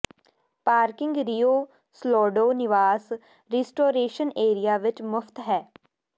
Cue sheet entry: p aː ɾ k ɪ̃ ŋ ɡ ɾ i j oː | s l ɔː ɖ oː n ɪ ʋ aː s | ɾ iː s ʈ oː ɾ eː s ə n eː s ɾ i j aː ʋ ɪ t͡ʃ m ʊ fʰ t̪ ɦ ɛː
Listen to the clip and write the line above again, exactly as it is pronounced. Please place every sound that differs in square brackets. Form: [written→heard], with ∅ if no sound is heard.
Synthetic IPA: p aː ɾ k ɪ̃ ŋ ɡ ɾ i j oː | s l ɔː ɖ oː n ɪ ʋ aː s | ɾ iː s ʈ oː ɾ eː [s→ʃ] ə n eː [s→∅] ɾ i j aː ʋ ɪ t͡ʃ m ʊ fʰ t̪ ɦ ɛː